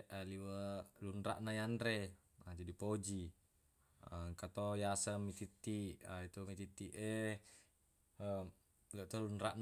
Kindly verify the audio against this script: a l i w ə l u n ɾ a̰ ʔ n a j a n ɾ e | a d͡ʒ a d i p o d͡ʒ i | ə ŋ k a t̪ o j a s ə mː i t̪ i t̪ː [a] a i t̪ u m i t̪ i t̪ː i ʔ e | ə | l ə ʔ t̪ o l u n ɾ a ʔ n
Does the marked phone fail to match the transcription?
yes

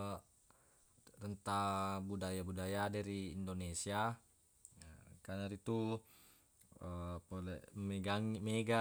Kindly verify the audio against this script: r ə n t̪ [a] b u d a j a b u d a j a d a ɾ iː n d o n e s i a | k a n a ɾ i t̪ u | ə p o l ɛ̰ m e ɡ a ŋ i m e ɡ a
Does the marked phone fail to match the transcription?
no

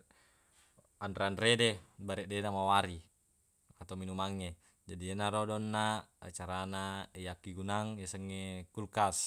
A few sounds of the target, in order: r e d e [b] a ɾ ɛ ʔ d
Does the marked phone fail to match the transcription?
no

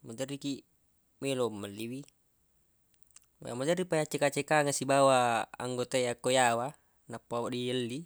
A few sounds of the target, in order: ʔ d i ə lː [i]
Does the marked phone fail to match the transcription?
no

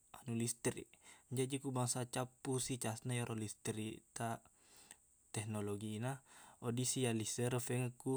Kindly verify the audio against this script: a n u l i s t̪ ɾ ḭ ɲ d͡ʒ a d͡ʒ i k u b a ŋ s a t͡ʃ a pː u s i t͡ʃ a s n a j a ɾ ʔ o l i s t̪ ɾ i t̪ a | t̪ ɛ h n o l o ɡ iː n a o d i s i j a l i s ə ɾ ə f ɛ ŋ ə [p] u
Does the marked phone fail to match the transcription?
yes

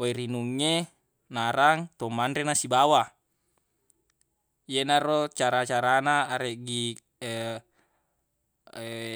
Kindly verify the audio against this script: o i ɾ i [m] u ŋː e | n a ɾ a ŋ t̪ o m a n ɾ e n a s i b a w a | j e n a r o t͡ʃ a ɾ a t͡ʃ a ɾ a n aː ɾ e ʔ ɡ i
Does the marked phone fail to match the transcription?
yes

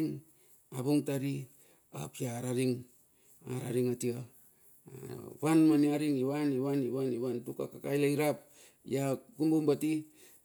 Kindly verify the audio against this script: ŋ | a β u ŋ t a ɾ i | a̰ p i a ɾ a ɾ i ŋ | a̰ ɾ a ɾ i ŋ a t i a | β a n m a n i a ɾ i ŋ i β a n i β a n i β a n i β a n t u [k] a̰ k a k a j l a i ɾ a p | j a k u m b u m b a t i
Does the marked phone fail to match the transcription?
no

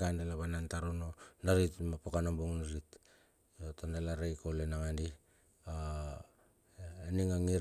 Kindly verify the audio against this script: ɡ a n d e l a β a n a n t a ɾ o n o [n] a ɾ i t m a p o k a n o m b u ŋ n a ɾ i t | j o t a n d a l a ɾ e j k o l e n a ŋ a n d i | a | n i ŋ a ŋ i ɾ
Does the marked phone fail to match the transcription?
no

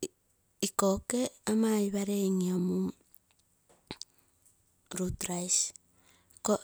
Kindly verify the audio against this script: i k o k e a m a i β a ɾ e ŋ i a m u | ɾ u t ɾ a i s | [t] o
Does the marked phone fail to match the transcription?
yes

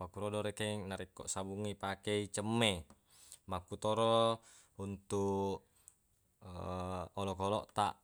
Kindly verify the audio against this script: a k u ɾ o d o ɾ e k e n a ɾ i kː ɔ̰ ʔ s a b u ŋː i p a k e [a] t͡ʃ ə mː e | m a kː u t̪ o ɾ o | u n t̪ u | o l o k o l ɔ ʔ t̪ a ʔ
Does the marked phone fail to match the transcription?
yes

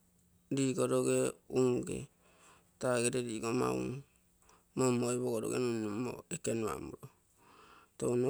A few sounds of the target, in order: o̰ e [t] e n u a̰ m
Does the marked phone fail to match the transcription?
yes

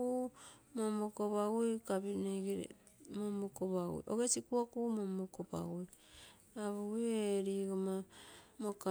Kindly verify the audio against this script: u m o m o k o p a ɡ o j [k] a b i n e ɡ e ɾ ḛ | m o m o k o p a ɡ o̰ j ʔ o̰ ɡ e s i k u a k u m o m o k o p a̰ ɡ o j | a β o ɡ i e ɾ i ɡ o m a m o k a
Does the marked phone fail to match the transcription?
no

